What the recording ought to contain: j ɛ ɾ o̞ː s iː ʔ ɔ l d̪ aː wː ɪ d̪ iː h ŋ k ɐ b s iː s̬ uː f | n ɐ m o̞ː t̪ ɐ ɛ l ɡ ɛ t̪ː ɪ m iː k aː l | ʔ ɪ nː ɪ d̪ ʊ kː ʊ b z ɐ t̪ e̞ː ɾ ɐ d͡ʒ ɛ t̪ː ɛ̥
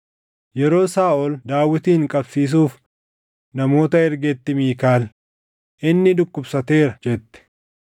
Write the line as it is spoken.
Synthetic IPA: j ɛ ɾ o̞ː s aː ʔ ɔ l d̪ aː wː ɪ t̪ iː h ŋ kʼ ɐ b s iː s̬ uː f | n ɐ m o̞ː t̪ ɐ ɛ ɾ ɡ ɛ t̪ː ɪ m iː k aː l | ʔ ɪ nː ɪ d̪ ʊ kː ʊ b s ɐ t̪ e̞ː ɾ ɐ d͡ʒ ɛ t̪ː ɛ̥